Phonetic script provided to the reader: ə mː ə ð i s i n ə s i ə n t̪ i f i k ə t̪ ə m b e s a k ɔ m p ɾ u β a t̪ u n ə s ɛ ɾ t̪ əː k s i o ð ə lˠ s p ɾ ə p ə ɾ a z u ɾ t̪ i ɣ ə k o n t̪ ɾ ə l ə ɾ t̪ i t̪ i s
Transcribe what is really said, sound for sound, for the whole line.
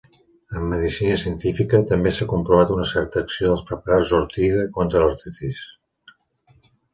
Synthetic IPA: ə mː ə ð i s i n ə s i ə n t̪ i f i k ə t̪ ə m b e s a k u m p ɾ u β a t̪ u n ə s ɛ ɾ t̪ əː k s i o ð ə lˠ s p ɾ ə p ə ɾ a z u ɾ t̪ i ɣ ə k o n t̪ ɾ ə l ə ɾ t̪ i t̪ i s